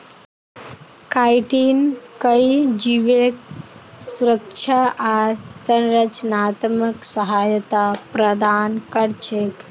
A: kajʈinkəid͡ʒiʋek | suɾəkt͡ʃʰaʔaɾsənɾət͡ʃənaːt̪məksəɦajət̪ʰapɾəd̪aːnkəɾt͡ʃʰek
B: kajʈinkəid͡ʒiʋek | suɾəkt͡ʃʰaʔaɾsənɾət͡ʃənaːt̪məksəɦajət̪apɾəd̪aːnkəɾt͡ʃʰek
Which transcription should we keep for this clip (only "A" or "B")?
B